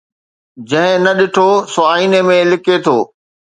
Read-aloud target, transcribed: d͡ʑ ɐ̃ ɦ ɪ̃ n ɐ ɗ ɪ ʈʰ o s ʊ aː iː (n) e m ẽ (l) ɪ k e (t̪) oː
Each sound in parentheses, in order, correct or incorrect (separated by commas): correct, correct, incorrect